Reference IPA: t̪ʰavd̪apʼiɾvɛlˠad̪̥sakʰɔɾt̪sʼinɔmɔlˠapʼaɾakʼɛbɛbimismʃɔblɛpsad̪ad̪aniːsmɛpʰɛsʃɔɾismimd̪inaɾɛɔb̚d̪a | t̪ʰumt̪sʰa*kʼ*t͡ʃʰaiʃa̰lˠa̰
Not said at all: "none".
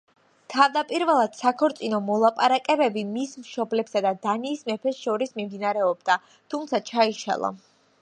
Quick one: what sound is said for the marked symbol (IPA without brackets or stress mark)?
none